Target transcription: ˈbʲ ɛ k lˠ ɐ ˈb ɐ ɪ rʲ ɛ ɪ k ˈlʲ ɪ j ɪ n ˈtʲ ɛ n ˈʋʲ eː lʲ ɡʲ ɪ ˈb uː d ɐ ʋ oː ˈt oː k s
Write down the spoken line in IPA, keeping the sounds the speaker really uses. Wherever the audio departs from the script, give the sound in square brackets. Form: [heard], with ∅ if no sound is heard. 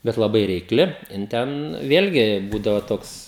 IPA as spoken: ˈbʲ ɛ [t] lˠ ɐ ˈb ɐ ɪ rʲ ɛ ɪ k ˈlʲ ɪ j ɪ n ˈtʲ ɛ n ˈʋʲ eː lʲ ɡʲ ɪ ˈb uː d ɐ ʋ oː ˈt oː k s